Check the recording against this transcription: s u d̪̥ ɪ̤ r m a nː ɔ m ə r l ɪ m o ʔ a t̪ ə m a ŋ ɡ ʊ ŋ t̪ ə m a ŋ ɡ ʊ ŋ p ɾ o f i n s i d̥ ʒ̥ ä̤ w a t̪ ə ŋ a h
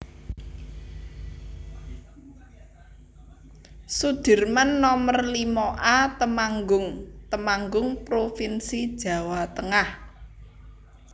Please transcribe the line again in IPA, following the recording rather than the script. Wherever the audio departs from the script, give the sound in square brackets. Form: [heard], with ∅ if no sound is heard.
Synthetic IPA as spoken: s u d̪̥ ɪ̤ r m a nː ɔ m ə r l [i] m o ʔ a t̪ ə m a ŋ ɡ ʊ ŋ t̪ ə m a ŋ ɡ ʊ ŋ p ɾ o f i n s i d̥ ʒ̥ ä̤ w a t̪ ə ŋ a h